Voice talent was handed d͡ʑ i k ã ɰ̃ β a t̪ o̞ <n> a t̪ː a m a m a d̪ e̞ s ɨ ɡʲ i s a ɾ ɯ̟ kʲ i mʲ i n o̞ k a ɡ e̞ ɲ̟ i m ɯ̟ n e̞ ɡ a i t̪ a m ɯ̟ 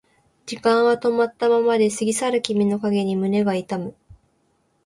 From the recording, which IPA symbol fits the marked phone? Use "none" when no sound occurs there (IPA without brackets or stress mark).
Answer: m